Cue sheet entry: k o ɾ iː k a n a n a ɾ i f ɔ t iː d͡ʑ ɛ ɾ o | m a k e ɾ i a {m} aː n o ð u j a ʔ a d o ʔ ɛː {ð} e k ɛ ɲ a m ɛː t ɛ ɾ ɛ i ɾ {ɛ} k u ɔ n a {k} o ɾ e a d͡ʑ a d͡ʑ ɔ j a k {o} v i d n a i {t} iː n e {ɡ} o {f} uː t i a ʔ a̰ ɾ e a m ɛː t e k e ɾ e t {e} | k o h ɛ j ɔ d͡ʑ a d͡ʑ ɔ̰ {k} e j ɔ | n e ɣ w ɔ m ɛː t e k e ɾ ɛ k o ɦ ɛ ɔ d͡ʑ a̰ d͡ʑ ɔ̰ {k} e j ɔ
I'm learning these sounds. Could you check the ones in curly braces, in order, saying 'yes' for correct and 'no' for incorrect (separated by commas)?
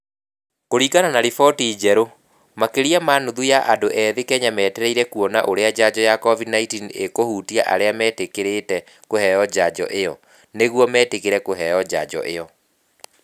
yes, yes, yes, no, no, yes, no, no, no, no, no